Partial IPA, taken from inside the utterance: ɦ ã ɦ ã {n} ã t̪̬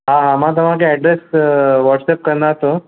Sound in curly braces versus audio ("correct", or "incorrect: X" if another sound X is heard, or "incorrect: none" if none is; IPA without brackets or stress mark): incorrect: m